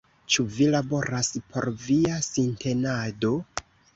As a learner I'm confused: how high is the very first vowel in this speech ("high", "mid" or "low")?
high